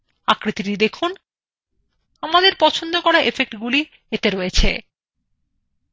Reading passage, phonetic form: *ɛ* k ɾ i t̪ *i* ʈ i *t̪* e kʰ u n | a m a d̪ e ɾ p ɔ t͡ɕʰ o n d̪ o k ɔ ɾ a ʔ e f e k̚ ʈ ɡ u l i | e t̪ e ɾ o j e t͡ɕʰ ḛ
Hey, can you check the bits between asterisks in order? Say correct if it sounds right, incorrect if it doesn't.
incorrect: a, correct, incorrect: d̪

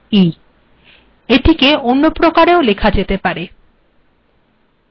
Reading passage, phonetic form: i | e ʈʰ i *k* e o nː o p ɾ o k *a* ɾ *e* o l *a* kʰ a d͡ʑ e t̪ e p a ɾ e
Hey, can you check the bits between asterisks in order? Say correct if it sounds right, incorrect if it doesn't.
correct, correct, correct, incorrect: e

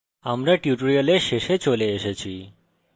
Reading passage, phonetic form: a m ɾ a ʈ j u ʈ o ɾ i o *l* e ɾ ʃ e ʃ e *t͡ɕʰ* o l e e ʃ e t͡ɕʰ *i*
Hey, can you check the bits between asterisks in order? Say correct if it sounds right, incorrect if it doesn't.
correct, incorrect: t͡ɕ, correct

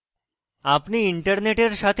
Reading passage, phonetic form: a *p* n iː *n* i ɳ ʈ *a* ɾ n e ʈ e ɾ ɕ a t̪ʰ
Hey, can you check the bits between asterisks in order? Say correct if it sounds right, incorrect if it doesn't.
correct, incorrect: none, incorrect: ə

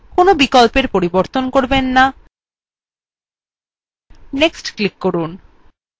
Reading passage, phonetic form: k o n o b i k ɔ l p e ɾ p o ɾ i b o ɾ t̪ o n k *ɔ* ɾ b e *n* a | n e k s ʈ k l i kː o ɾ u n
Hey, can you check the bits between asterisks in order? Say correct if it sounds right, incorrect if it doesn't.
incorrect: o, incorrect: nː

